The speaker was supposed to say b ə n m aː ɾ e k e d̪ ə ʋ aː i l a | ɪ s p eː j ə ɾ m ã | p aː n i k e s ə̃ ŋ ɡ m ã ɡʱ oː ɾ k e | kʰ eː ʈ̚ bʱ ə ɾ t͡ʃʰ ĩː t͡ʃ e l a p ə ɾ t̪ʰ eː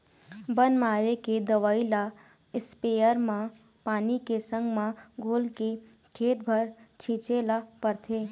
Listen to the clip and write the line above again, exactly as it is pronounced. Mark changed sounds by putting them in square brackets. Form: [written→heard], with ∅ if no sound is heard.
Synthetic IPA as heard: b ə n m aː ɾ e k e d̪ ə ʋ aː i l a | ɪ s p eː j ə ɾ m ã | p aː n i k e s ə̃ ŋ ɡ m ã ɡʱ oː [ɾ→l] k e | kʰ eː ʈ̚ bʱ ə ɾ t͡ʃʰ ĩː t͡ʃ e l a p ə ɾ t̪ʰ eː